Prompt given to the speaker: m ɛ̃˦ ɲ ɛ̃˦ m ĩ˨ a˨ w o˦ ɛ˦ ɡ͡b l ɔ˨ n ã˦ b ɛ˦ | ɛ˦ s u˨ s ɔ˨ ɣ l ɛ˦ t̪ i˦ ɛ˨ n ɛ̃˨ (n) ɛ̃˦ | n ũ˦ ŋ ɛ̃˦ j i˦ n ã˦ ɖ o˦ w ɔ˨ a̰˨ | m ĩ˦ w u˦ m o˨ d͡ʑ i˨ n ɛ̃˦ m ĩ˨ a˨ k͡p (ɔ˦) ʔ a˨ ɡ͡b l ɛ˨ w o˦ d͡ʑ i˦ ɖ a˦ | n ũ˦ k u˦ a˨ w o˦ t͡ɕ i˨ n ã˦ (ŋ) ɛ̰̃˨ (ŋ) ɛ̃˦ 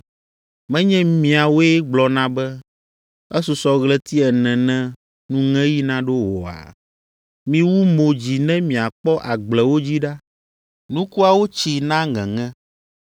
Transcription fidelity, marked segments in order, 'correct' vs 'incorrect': correct, correct, correct, correct

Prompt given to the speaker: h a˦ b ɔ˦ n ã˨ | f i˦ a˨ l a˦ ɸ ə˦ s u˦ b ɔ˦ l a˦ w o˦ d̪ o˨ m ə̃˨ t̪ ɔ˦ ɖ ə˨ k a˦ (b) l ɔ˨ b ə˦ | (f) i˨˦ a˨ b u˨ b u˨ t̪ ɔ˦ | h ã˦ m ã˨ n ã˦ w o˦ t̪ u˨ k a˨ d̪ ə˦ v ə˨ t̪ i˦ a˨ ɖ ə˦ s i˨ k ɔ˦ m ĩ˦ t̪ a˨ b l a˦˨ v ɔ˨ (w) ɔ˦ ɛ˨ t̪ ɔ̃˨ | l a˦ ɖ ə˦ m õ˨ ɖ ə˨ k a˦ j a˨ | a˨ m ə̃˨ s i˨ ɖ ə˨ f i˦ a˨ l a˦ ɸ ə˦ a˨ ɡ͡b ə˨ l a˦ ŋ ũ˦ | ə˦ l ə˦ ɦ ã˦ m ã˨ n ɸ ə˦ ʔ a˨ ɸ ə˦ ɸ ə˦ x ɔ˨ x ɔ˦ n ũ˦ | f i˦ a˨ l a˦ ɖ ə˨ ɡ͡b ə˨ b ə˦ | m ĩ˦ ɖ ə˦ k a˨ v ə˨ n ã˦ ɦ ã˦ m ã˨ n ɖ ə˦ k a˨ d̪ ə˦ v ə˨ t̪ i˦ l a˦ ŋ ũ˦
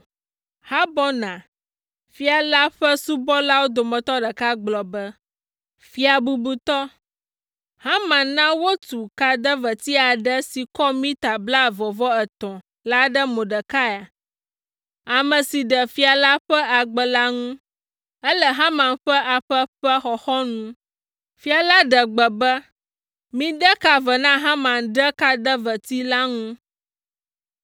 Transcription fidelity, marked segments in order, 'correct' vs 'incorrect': incorrect: ɡ͡b, correct, incorrect: v

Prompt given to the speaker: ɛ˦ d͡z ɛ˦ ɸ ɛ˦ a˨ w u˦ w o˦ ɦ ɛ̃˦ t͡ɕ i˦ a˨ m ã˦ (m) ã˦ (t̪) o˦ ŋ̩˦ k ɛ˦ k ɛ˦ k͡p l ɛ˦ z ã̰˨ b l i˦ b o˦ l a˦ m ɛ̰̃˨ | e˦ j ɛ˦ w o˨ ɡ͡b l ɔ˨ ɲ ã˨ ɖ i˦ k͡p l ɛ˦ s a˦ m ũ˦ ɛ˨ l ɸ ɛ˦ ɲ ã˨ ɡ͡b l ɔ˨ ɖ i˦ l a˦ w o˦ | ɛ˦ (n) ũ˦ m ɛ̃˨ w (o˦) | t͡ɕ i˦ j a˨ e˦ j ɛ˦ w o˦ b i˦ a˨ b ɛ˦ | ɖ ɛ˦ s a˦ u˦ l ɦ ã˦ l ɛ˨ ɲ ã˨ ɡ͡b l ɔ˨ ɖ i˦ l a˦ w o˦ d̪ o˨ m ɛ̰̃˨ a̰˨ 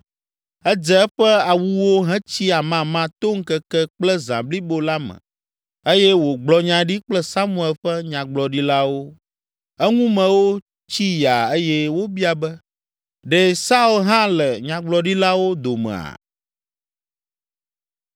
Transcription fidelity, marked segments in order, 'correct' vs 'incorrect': correct, correct, incorrect: ŋ, correct

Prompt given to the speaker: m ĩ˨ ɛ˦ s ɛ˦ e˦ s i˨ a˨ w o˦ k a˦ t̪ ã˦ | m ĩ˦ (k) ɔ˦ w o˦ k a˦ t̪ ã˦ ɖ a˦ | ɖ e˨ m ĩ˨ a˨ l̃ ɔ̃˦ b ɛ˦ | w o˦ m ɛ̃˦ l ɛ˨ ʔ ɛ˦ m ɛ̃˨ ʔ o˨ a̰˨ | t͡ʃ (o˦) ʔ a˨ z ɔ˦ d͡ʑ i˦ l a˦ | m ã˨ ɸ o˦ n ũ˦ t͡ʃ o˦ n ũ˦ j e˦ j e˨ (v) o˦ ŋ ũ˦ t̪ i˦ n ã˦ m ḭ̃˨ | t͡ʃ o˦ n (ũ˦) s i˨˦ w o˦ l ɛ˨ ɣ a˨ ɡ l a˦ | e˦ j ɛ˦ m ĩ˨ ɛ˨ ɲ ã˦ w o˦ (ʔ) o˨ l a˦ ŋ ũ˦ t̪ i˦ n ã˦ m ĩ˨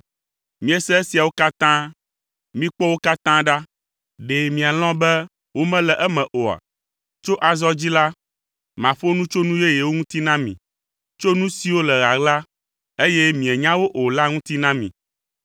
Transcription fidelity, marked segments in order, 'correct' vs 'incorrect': incorrect: k͡p, correct, incorrect: w, correct, correct

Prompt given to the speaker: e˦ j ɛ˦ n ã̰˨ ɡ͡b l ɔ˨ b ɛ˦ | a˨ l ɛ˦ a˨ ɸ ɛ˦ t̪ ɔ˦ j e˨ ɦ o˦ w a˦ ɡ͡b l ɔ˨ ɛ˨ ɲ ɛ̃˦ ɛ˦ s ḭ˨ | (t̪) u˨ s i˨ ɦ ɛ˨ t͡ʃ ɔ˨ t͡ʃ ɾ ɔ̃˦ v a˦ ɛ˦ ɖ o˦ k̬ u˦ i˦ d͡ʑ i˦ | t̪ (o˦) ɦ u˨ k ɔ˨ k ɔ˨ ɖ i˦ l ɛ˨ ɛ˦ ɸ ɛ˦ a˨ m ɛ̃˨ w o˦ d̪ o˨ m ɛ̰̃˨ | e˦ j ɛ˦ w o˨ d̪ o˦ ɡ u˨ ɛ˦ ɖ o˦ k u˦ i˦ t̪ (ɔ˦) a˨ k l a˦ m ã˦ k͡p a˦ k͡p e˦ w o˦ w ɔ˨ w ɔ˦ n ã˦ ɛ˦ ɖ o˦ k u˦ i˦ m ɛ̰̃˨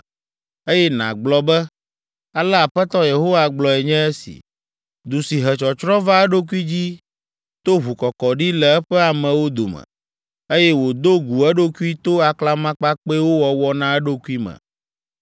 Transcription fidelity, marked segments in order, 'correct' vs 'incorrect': incorrect: d̪, correct, incorrect: o˦

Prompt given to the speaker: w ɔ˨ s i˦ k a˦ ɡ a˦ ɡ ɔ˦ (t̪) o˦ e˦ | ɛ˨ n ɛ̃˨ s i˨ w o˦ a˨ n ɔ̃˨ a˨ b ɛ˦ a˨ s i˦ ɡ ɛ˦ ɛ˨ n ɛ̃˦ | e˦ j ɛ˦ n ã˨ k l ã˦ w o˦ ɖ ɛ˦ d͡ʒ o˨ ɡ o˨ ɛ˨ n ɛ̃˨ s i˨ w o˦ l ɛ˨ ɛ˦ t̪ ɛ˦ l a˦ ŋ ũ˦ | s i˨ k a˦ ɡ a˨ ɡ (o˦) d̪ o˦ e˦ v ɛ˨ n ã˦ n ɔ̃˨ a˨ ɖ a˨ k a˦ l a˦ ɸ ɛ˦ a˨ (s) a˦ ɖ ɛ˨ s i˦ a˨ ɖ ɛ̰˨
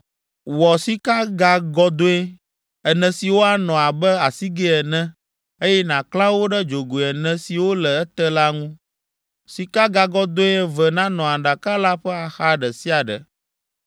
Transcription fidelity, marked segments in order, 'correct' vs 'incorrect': incorrect: d̪, incorrect: ɔ˦, incorrect: x

